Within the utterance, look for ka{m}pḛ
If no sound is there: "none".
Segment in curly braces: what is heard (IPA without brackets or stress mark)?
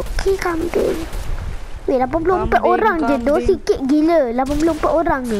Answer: m